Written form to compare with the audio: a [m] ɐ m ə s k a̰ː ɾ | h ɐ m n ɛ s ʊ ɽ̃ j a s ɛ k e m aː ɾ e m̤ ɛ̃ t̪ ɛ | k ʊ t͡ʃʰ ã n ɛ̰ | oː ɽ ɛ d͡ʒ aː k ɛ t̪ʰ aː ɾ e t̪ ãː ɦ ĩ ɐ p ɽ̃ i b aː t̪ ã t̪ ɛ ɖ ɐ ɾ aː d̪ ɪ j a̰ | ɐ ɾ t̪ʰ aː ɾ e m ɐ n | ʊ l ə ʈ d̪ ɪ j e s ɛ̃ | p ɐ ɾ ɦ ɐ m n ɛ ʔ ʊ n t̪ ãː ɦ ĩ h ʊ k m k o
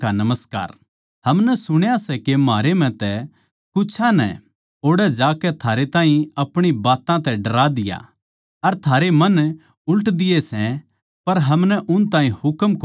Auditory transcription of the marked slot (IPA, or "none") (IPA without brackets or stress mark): n